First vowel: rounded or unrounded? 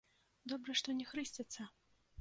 rounded